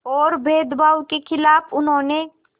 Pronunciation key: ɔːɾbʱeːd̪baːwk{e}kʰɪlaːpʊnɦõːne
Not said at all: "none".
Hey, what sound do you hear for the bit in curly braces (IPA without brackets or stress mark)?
e